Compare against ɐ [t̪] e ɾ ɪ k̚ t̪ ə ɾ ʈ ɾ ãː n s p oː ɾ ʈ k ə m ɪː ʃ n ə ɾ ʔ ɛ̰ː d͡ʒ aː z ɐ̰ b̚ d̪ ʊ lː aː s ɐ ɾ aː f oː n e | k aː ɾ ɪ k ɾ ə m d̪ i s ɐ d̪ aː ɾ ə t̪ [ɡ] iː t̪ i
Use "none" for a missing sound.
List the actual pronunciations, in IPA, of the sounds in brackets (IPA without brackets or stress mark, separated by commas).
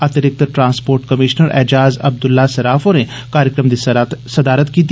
t̪, k